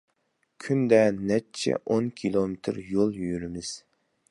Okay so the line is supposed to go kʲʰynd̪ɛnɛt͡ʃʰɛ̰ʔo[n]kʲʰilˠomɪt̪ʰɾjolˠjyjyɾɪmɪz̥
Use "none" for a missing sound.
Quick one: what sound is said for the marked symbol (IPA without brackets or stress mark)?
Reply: n